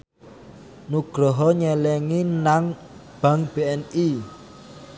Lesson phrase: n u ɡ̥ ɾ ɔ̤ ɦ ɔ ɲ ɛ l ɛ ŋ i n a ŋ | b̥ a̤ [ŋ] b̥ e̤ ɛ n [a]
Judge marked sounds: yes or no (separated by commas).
yes, no